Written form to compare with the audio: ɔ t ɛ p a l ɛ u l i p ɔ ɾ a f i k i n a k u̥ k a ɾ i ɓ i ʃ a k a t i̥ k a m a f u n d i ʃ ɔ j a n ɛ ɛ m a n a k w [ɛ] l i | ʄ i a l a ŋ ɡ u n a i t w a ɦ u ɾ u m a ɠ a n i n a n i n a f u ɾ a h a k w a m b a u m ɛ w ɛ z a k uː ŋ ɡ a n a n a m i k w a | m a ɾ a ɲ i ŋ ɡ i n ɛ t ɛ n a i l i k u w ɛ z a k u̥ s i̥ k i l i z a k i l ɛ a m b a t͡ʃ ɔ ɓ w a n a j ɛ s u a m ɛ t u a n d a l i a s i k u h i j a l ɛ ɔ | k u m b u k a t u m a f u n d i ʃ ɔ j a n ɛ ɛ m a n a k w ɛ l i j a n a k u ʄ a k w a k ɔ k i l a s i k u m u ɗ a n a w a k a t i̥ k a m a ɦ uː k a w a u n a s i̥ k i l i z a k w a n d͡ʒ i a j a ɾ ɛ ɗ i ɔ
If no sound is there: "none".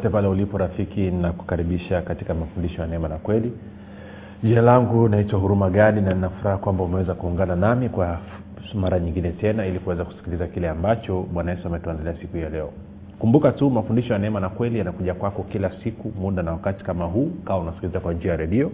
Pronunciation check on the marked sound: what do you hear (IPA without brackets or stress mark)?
ɛ